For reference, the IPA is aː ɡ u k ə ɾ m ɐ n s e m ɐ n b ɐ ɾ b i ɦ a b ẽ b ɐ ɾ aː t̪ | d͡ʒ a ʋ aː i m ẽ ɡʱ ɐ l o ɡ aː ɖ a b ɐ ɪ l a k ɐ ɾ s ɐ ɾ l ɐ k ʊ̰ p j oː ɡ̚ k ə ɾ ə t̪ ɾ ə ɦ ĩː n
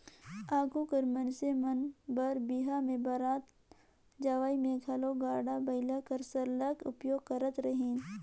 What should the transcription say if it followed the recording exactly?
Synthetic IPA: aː ɡ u k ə ɾ m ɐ n s e m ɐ n b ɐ ɾ b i ɦ a m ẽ b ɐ ɾ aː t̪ | d͡ʒ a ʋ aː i m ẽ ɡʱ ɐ l o ɡ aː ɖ a b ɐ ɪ l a k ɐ ɾ s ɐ ɾ l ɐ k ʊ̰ p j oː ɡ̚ k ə ɾ ə t̪ ɾ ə ɦ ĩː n